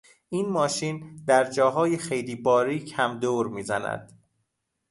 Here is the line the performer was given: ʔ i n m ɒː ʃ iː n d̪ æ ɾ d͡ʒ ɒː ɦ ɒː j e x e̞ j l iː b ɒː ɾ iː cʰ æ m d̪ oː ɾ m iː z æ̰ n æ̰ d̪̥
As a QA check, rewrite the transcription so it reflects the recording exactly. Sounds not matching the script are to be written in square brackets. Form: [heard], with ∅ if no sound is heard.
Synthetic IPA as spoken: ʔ i n m ɒː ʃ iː n d̪ æ ɾ d͡ʒ ɒː ɦ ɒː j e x e̞ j l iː b ɒː ɾ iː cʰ æ m d̪ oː ɾ m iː z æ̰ n æ̰ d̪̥